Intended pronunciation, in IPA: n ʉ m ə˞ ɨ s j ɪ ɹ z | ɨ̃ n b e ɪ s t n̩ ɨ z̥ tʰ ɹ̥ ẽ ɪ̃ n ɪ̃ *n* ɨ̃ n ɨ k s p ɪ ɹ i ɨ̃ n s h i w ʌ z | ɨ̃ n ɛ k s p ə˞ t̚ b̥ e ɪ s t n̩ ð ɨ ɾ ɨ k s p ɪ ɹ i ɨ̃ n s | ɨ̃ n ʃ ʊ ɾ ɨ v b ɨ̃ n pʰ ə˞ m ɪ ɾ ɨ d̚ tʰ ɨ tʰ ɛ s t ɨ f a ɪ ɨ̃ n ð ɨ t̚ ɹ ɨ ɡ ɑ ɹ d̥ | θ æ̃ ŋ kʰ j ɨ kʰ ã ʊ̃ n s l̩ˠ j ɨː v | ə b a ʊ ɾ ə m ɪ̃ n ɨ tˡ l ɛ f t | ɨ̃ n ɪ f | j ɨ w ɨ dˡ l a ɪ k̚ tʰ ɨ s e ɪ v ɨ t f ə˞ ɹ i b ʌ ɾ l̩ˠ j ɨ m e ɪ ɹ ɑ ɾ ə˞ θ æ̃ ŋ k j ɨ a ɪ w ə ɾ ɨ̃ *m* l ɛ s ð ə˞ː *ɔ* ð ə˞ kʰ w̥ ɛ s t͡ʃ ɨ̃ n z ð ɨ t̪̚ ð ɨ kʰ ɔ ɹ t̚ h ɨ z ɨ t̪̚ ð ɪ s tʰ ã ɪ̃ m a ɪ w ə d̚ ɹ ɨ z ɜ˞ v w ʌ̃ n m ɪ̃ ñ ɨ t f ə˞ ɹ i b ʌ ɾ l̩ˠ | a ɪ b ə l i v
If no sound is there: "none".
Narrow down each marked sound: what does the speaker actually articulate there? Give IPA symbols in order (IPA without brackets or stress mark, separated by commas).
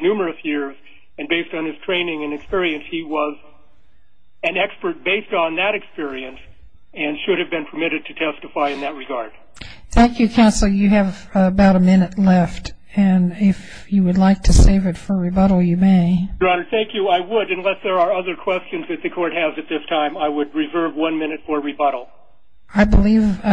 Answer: ŋ, n, ʌ